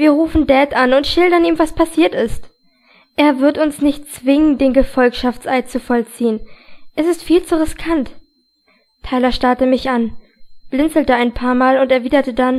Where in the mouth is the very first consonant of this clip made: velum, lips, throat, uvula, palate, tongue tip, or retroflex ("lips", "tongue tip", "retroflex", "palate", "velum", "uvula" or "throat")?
lips